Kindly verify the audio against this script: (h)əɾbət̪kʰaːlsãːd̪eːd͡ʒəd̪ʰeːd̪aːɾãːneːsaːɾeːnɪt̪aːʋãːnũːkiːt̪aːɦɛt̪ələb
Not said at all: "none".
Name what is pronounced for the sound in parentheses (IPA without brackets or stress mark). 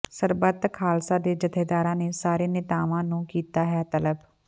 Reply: s